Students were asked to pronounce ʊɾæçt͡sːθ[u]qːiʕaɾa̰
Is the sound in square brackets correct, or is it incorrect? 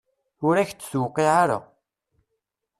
incorrect